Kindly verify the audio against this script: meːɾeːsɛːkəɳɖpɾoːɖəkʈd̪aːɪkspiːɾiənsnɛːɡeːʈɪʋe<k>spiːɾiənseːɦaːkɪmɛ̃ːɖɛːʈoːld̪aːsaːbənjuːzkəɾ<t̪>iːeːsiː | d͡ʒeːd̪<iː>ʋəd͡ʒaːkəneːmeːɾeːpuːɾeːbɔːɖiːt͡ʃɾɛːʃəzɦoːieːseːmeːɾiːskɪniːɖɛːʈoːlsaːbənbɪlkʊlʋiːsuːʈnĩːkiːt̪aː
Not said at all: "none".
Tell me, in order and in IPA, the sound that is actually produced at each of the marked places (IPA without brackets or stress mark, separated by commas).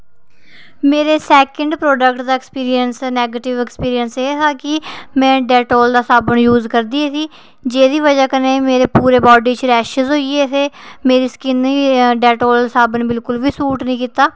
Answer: k, d̪, iː